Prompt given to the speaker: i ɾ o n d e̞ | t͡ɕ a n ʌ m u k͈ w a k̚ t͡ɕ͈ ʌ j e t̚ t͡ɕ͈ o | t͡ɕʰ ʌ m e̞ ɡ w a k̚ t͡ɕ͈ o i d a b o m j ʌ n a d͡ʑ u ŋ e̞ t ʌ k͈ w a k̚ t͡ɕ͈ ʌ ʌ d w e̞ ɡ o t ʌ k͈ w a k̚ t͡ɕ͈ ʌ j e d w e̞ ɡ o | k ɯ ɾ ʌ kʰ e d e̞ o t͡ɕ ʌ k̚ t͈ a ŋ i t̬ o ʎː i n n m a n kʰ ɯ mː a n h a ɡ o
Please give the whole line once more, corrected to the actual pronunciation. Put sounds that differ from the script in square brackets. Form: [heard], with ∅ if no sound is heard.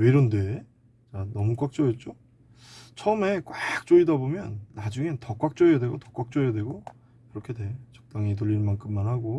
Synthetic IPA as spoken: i ɾ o n d e̞ | t͡ɕ a n ʌ m u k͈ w a k̚ t͡ɕ͈ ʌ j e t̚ t͡ɕ͈ o | t͡ɕʰ ʌ m e̞ [k] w a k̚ t͡ɕ͈ o i d a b o m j ʌ [nː] a d͡ʑ u ŋ e̞ t ʌ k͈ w a k̚ t͡ɕ͈ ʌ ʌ d w e̞ ɡ o t ʌ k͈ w a k̚ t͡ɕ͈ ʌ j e d w e̞ ɡ o | k ɯ ɾ ʌ kʰ e d e̞ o t͡ɕ ʌ k̚ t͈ a ŋ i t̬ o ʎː i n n m a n kʰ ɯ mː a n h a ɡ o